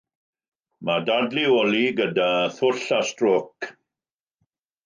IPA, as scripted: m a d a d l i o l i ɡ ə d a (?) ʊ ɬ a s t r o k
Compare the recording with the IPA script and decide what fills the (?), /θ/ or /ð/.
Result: θ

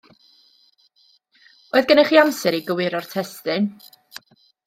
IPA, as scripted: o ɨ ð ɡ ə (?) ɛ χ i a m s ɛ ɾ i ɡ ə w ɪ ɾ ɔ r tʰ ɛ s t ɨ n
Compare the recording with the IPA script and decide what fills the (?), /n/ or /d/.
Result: n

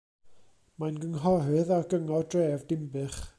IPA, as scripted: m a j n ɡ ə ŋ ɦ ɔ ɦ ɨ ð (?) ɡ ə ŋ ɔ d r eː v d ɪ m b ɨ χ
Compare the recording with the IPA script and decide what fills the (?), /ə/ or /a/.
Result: a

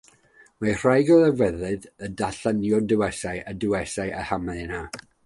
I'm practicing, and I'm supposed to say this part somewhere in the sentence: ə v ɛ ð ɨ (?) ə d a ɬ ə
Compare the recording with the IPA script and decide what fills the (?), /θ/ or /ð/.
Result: ð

